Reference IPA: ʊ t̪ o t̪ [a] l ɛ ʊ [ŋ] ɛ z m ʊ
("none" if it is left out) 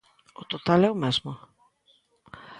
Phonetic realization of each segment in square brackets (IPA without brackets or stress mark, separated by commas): a, m